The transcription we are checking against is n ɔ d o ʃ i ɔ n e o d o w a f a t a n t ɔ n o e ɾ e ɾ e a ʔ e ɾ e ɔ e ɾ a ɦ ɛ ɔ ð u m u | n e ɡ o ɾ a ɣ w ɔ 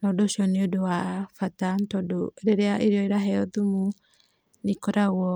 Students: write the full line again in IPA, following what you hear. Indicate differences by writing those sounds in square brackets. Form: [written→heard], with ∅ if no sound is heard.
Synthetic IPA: n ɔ d o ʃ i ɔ n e o d o w a f a t a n t ɔ [n→d] o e ɾ e ɾ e a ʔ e ɾ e ɔ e ɾ a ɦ ɛ ɔ ð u m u | n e [ɡ→k] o ɾ a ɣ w ɔ